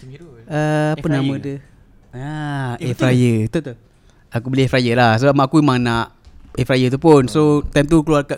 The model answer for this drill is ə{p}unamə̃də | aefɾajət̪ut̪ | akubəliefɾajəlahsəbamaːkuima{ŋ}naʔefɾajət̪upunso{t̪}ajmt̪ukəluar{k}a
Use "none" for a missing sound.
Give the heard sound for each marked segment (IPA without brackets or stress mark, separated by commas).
p, ŋ, t̪, k